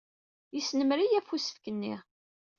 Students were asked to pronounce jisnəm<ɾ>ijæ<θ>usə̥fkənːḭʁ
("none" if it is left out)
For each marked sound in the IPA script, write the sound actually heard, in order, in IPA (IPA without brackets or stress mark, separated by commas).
ɾ, f